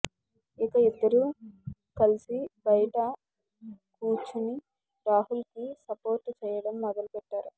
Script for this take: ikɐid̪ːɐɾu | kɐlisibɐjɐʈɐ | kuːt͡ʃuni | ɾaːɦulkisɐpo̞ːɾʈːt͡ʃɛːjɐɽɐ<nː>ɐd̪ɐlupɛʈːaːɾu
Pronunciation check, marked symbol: incorrect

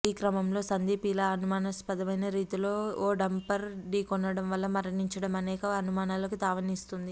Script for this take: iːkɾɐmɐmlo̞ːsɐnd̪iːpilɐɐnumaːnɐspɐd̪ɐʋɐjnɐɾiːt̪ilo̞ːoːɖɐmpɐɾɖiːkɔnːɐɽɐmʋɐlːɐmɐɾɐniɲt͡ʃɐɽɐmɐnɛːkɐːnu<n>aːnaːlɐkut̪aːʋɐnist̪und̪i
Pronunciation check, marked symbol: incorrect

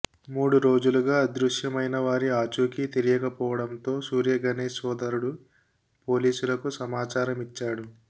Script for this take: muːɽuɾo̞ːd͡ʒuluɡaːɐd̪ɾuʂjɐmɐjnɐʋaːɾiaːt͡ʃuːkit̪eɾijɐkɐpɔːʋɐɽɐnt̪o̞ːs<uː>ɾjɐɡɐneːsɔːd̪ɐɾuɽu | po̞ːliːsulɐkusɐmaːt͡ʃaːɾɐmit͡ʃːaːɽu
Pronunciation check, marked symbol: correct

